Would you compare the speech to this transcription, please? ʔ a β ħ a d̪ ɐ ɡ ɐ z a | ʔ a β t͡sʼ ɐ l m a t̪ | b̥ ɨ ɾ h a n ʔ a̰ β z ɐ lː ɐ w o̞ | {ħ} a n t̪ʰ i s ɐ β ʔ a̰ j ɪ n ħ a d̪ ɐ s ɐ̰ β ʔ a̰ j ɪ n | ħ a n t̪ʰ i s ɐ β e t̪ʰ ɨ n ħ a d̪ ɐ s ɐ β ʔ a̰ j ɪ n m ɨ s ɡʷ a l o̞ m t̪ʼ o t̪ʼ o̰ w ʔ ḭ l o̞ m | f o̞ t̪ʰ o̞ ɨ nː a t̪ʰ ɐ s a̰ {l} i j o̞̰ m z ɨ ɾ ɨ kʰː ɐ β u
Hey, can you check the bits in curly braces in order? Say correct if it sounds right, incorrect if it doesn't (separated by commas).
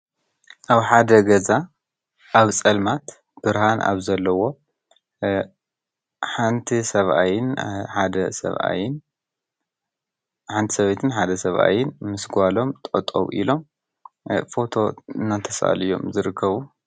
correct, correct